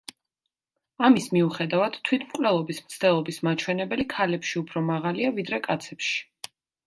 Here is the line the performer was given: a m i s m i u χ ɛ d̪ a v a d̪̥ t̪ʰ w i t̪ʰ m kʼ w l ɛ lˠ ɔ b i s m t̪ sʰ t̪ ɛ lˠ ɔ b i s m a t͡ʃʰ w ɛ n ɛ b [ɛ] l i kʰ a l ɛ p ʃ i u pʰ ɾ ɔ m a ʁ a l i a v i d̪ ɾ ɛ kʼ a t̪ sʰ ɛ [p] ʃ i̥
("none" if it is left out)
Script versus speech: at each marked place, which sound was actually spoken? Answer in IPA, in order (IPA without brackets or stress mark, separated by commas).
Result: ɛ, p